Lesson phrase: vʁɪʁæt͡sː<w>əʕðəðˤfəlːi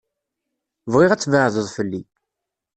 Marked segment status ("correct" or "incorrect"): incorrect